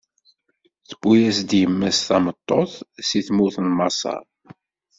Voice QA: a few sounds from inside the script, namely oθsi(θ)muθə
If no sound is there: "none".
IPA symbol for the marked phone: θ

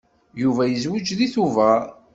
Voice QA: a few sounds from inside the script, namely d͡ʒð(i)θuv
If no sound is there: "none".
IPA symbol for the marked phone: i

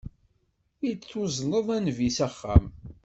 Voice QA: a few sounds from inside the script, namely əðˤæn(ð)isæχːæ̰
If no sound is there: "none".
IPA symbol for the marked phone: v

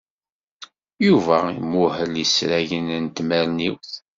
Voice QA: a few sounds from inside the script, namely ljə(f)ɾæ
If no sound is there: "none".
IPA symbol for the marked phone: s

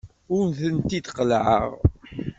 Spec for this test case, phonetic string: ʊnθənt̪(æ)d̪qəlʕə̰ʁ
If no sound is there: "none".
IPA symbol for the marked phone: i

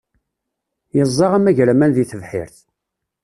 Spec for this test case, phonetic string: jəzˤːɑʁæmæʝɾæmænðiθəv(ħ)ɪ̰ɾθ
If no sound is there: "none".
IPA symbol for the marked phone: ħ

